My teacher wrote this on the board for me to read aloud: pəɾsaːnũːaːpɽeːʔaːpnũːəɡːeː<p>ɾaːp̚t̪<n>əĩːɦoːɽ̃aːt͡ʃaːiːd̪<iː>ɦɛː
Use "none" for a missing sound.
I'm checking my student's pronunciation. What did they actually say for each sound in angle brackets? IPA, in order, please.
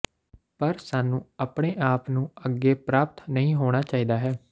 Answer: p, n, aː

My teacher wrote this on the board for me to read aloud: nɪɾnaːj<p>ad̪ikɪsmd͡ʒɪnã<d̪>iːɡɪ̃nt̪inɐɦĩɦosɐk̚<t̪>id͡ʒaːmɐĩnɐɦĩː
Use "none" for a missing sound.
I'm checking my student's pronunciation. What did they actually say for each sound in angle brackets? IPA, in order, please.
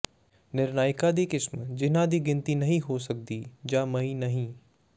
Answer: k, d̪, d̪

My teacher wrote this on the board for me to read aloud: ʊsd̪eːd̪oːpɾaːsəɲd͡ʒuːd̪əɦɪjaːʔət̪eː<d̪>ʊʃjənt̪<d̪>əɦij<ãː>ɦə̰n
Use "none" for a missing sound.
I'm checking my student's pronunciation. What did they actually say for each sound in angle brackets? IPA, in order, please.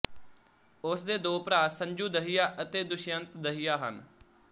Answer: d̪, d̪, aː

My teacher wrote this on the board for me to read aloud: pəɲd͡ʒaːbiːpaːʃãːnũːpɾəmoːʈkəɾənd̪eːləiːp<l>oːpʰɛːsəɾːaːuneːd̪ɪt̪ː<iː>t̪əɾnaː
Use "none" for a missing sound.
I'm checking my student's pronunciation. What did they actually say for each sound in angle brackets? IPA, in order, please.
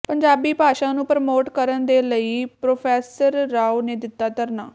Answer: ɾ, aː

